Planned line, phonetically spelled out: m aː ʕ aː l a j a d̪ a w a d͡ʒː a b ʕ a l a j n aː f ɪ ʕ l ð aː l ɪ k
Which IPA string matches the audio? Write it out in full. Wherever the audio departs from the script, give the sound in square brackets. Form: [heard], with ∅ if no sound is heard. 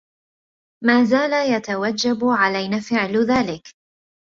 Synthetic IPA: m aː [z] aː l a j a [t̪] a w a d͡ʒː a b ʕ a l a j n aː f ɪ ʕ l ð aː l ɪ k